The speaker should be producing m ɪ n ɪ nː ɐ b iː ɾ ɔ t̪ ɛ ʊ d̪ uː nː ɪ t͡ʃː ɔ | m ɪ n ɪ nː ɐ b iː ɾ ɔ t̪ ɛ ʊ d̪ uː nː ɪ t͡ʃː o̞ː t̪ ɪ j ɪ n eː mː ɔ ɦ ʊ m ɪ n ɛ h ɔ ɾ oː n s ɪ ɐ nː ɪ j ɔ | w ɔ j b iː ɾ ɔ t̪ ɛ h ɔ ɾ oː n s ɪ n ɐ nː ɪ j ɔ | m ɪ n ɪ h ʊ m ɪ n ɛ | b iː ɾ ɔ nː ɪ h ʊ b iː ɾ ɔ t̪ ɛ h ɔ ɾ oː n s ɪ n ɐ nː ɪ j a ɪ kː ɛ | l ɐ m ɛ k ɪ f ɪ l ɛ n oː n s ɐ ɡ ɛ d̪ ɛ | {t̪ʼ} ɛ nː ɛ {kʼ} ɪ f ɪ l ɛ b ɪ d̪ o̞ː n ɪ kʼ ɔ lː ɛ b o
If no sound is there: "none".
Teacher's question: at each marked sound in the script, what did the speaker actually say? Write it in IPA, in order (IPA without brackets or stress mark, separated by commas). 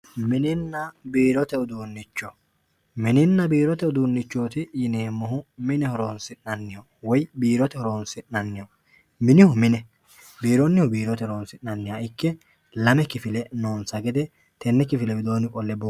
t̪, k